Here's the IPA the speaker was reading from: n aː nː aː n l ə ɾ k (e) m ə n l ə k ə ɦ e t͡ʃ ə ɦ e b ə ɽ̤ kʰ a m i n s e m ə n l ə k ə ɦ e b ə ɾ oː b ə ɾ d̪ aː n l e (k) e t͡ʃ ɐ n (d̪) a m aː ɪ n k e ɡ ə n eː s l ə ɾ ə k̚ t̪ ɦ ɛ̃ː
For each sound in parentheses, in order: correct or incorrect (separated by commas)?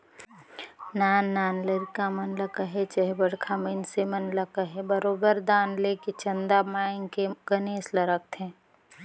incorrect, correct, correct